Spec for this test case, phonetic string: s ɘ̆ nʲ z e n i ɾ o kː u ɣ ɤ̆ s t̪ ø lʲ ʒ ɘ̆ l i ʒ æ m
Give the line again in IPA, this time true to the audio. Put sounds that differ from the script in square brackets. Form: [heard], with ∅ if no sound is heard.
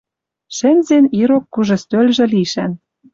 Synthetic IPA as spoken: [ʃ] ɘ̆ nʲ z e n i ɾ o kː u [ʒ] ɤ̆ s t̪ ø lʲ ʒ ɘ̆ l i [ʃ] æ [n]